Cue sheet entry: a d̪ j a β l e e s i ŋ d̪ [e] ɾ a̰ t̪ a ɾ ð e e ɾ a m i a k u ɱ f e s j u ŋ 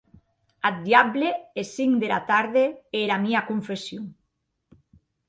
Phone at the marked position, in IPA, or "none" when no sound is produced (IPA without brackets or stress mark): e